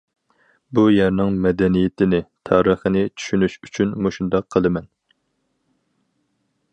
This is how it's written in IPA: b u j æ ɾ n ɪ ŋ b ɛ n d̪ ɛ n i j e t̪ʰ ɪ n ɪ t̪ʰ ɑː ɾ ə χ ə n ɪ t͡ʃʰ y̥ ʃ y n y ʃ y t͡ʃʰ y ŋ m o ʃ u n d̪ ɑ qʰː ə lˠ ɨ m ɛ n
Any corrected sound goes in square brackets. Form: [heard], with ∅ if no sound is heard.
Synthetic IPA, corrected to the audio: b u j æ ɾ n ɪ ŋ [m] ɛ [∅] d̪ ɛ n i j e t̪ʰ ɪ n ɪ t̪ʰ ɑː ɾ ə χ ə n ɪ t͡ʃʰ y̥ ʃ y n y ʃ y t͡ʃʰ y [n] m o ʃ u n d̪ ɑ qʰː ə lˠ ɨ m ɛ n